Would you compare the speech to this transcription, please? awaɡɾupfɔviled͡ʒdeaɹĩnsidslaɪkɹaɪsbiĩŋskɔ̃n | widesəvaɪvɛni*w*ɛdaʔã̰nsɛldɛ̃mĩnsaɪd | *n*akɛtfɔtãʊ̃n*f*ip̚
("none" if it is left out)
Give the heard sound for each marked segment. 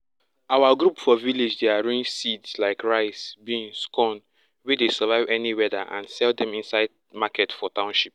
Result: w, m, ʃ

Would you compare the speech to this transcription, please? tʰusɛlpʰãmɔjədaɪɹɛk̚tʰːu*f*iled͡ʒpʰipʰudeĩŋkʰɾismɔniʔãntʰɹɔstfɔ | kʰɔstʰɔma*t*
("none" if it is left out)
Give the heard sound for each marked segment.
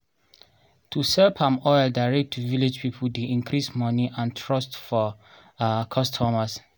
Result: v, s

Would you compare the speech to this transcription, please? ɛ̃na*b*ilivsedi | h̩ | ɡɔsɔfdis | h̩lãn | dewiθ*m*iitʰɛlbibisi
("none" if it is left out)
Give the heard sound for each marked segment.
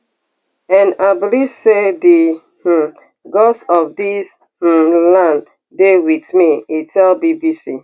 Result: b, m

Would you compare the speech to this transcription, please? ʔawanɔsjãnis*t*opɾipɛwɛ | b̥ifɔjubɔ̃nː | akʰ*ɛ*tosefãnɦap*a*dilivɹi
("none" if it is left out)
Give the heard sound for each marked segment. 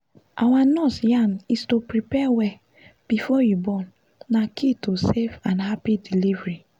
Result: t, i, i

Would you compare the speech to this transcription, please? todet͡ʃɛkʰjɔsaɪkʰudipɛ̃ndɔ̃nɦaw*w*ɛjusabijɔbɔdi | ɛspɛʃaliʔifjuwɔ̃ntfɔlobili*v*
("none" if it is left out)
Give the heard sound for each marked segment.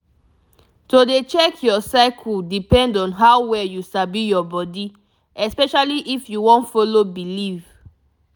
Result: w, v

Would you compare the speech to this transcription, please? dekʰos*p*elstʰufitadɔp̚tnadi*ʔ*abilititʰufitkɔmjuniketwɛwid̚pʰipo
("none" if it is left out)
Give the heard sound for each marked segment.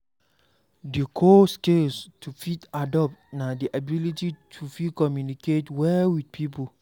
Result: k, ʔ

